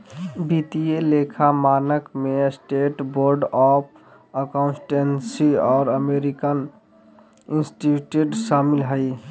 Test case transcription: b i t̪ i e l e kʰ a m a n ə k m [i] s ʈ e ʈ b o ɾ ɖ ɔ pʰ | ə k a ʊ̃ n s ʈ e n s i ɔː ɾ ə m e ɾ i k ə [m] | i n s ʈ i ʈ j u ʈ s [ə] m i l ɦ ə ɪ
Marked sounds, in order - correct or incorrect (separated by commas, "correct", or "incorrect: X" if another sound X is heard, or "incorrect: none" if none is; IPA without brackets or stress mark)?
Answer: incorrect: e, incorrect: n, incorrect: a